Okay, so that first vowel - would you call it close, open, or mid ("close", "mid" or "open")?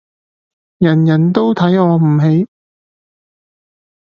open